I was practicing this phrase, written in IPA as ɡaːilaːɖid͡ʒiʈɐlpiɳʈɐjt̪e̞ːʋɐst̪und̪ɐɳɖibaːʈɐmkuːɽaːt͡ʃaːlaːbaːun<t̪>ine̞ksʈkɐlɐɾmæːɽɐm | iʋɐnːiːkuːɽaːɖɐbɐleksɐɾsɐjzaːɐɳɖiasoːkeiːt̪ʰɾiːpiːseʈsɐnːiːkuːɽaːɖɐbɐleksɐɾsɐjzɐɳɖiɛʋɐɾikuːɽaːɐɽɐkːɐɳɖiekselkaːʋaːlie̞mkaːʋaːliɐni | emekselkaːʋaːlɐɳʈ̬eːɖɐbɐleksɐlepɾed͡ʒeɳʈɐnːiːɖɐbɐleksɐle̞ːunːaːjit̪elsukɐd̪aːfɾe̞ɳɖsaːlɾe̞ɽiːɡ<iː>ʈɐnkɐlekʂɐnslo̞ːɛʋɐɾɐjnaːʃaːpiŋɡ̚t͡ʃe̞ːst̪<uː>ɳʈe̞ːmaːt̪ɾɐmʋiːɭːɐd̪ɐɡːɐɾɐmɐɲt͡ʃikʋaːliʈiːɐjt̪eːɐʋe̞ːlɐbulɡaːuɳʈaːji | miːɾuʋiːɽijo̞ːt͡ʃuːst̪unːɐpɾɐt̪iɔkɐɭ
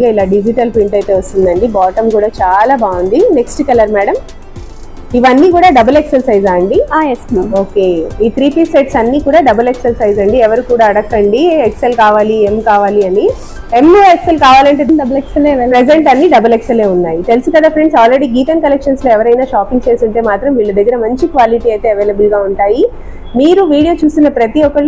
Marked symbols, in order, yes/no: no, yes, no

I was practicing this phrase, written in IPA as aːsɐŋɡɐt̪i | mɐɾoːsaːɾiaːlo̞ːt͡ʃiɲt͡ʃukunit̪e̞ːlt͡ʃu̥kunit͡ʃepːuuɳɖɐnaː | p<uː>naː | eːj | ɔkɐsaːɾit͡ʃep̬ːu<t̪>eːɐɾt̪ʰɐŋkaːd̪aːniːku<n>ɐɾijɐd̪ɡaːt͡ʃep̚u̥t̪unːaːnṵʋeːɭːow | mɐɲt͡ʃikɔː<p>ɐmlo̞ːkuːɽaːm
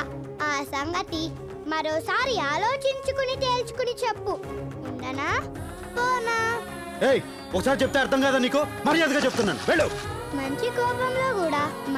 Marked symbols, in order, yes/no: no, yes, no, yes

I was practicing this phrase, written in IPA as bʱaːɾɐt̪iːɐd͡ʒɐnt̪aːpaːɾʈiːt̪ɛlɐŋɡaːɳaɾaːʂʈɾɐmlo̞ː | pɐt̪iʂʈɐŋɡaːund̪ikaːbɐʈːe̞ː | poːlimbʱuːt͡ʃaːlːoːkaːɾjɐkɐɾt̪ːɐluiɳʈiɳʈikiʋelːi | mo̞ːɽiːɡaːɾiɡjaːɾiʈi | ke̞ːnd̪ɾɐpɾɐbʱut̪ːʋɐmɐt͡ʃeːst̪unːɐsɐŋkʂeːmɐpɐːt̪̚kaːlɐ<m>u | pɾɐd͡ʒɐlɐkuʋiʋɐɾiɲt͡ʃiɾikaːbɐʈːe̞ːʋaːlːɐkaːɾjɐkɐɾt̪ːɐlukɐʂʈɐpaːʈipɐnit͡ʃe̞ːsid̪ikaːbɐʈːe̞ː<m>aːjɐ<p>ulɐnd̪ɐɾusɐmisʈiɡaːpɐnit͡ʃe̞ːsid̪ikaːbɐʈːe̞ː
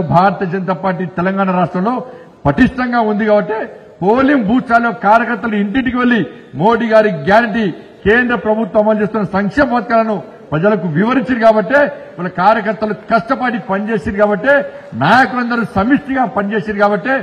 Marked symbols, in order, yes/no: no, no, no

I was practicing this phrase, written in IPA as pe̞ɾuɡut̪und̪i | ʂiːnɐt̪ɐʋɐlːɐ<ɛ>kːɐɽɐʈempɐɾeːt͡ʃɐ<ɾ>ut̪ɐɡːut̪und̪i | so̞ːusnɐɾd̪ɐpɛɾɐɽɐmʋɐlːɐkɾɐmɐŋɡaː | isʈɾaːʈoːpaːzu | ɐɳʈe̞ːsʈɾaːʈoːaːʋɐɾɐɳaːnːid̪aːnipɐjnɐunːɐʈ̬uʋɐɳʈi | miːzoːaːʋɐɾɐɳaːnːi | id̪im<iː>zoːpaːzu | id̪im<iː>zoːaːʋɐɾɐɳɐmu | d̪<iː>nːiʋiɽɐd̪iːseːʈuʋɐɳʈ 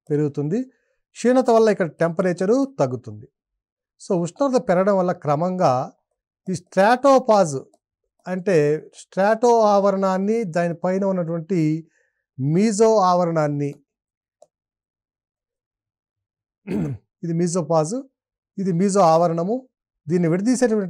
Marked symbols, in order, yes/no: no, yes, yes, yes, yes

